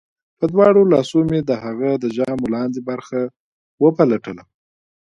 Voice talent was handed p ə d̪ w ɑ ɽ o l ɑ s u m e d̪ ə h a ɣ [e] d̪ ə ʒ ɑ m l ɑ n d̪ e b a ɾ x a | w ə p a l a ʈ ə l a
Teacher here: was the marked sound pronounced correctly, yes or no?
no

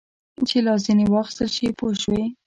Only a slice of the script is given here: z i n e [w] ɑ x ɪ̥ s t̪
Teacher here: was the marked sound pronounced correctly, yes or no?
yes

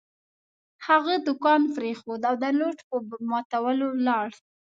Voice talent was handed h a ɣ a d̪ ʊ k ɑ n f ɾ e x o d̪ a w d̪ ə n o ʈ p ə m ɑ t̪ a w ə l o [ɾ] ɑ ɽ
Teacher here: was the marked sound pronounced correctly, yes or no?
no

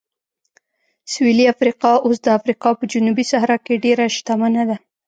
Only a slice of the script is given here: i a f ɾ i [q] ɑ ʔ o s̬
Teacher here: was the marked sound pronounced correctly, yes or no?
yes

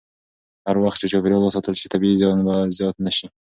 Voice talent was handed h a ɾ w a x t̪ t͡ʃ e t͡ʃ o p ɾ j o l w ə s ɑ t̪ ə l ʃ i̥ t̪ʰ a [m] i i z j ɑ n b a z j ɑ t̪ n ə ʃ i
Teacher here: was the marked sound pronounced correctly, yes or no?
no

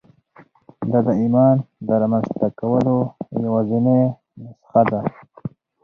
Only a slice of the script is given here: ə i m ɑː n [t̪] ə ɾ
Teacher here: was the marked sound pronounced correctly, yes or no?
no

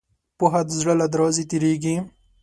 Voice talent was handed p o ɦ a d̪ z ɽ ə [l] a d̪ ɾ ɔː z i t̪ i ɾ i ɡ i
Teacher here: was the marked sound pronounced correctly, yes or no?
yes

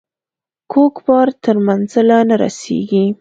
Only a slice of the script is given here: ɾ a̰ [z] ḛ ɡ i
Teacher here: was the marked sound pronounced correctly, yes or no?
no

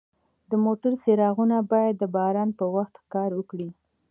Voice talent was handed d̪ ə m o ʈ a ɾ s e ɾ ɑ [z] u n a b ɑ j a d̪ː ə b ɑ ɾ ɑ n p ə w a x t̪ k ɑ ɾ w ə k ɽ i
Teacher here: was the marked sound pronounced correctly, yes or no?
no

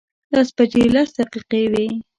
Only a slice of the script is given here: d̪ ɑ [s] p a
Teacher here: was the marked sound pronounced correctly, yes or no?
yes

